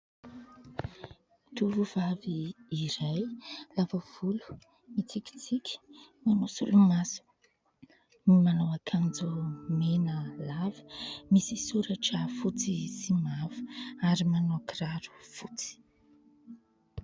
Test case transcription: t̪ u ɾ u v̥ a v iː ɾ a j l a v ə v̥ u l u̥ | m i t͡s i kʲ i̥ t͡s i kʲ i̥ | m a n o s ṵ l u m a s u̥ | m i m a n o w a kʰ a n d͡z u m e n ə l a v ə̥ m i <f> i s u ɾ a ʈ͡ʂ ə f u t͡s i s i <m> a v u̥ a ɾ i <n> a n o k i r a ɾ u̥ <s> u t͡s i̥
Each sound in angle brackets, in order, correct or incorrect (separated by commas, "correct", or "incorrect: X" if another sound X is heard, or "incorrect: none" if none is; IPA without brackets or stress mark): incorrect: s, correct, incorrect: m, incorrect: f